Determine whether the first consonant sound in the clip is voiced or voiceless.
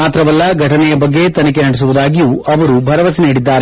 voiceless